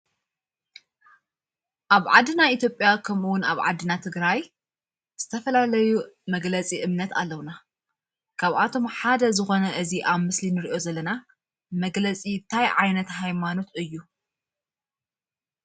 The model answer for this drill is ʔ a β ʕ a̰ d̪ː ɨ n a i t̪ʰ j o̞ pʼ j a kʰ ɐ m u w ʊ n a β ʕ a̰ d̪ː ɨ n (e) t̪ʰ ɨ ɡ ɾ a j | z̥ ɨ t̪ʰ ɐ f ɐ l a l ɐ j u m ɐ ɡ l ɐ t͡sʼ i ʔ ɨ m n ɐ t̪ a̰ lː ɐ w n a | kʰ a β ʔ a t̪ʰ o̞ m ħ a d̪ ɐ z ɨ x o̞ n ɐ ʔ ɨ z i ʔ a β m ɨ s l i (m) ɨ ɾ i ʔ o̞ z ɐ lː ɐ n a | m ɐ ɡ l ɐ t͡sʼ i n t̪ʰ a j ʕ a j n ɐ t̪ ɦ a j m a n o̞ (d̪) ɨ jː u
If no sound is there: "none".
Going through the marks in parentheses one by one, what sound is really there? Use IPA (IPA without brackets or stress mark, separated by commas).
a, n, t̪